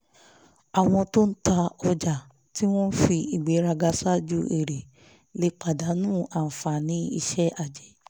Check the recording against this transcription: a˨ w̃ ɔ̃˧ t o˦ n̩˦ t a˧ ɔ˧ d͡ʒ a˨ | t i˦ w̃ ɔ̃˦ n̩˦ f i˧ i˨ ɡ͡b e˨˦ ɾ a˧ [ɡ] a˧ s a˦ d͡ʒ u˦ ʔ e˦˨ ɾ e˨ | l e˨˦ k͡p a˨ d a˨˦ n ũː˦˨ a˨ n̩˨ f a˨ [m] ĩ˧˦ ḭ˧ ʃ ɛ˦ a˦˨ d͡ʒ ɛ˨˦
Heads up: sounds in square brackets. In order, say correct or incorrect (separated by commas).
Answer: correct, incorrect